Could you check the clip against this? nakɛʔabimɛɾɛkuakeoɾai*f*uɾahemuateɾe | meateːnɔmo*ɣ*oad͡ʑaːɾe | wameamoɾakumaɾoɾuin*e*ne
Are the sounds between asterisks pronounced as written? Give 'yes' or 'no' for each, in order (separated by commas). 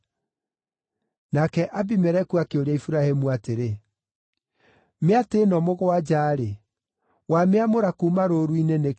yes, yes, yes